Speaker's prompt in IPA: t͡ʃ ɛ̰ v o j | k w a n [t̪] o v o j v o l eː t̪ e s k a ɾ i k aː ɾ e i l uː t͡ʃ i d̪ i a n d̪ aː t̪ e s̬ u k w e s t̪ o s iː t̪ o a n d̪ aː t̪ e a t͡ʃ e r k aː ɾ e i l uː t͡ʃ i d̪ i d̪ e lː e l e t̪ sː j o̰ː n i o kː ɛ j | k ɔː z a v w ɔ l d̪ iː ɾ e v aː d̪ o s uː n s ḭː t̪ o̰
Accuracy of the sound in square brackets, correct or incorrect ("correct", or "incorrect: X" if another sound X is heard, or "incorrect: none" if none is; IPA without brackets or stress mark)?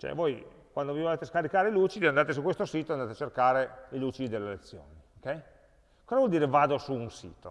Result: incorrect: d̪